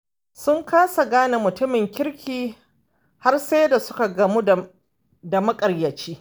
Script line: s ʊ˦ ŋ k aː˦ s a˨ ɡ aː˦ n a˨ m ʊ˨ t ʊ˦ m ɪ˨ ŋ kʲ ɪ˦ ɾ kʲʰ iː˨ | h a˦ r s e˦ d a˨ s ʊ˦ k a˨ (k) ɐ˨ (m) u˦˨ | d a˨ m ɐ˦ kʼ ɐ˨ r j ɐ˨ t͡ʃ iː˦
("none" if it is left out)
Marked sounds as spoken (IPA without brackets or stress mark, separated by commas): ɡ, m